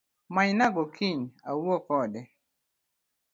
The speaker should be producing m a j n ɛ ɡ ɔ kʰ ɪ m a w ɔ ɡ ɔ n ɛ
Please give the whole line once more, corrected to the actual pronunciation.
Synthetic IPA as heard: m a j n a ɡ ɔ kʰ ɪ ɲ a w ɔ k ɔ d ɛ

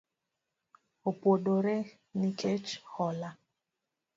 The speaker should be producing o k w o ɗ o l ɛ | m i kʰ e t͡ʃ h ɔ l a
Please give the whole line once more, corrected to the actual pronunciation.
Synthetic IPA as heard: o p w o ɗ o ɾ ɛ | n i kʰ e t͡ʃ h ɔ l a

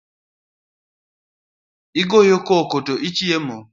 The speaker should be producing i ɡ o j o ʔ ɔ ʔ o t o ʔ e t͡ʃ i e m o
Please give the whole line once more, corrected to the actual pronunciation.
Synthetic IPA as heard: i ɡ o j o k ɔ k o t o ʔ i t͡ʃ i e m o

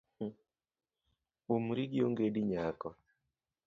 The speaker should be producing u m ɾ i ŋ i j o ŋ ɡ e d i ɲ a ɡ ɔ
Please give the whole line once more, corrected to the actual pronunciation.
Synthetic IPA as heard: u m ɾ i ɡ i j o ŋ ɡ e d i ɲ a k ɔ

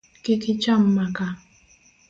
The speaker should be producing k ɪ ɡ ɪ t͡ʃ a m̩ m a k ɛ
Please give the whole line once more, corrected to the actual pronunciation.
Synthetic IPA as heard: k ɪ k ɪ t͡ʃ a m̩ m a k a

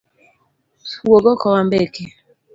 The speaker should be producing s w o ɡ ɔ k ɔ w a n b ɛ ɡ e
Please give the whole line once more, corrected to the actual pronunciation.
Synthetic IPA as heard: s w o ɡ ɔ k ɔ w a m b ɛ k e

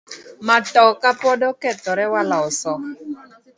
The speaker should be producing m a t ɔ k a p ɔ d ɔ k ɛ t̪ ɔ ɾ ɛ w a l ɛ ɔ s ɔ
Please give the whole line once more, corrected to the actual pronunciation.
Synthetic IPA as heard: m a t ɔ k a p ɔ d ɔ k ɛ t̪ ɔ ɾ ɛ w a l a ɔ s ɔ

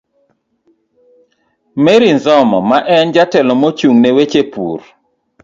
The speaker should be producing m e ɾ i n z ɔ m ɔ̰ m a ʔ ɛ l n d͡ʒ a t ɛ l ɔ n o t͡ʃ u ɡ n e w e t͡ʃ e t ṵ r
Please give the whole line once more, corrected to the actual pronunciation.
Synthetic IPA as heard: m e ɾ i n z ɔ m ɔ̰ m a ʔ ɛ n d͡ʒ a t ɛ l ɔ m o t͡ʃ u ŋ n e w e t͡ʃ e p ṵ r

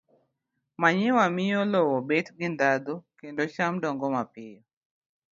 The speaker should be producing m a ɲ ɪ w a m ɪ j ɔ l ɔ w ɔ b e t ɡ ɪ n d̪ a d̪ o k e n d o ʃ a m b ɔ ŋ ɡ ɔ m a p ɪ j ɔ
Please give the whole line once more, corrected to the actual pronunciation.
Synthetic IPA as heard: m a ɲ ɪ w a m ɪ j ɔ l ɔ w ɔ b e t ɡ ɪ n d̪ a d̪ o k e n d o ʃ a m d ɔ ŋ ɡ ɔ m a p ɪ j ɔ

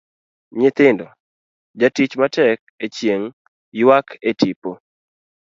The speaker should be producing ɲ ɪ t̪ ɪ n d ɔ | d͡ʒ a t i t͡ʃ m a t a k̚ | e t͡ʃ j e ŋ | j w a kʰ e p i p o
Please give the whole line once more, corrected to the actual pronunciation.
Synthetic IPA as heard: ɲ ɪ t̪ ɪ n d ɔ | d͡ʒ a t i t͡ʃ m a t ɛ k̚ | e t͡ʃ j e ŋ | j w a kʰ e t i p o

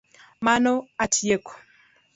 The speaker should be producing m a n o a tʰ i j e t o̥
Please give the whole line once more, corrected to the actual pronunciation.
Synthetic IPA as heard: m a n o a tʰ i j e k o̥

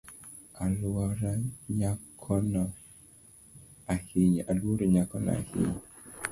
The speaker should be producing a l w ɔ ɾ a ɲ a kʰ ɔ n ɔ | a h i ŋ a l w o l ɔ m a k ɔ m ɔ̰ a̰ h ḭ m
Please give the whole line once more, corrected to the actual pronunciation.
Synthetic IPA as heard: a l w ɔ ɾ a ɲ a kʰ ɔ n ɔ | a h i ɲ a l w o ɾ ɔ ɲ a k ɔ n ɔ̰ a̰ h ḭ ɲ

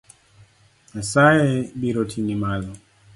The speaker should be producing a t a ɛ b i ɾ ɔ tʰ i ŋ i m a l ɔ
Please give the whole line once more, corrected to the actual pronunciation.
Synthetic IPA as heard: a s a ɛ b i ɾ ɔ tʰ i n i m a l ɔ

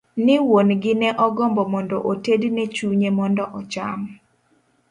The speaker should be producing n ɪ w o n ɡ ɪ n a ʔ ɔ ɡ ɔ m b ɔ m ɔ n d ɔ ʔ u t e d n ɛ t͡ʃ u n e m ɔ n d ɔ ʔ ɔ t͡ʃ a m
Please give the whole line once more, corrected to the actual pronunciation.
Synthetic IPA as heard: n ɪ w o n ɡ ɪ n ɛ ʔ ɔ ɡ ɔ m b ɔ m ɔ n d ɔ ʔ o t e d n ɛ t͡ʃ u ɲ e m ɔ n d ɔ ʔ ɔ t͡ʃ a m

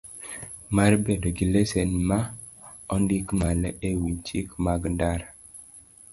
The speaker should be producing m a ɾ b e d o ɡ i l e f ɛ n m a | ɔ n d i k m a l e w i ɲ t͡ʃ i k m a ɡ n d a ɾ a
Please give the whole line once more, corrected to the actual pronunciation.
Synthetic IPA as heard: m a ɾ b e d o ɡ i l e s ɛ n m a | ɔ n d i k m a l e w i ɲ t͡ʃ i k m a ɡ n d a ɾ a

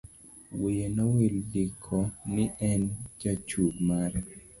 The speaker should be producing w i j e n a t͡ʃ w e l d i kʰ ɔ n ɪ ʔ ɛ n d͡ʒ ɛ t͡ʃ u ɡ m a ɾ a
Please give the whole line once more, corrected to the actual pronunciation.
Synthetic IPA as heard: w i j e n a w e l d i kʰ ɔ n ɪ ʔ ɛ n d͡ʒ a t͡ʃ u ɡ m a ɾ ɛ

